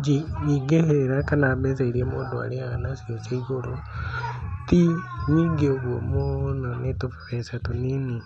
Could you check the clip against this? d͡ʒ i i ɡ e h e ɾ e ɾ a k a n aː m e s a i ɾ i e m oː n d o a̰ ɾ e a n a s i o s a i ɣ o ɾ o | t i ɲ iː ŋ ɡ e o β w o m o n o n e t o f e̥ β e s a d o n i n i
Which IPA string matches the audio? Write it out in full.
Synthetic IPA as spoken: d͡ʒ i i ɡ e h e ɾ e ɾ a k a n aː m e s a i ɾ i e m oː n d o a̰ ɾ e a n a s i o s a i ɣ o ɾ o | t i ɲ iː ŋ ɡ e o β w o m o n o n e t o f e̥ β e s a t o n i n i